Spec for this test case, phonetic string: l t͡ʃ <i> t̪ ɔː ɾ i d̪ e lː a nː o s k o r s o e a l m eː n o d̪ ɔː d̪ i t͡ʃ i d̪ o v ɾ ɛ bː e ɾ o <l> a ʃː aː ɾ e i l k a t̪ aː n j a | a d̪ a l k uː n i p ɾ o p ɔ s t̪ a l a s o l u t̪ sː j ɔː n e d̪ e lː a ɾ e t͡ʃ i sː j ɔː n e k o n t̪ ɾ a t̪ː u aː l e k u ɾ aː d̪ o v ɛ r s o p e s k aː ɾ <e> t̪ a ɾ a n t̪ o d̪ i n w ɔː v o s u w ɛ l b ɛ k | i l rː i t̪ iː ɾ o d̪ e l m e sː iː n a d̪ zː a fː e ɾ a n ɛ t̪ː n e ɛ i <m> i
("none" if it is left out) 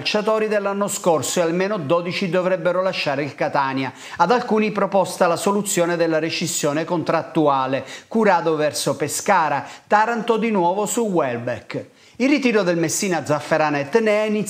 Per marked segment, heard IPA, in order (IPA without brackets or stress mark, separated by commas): a, l, a, n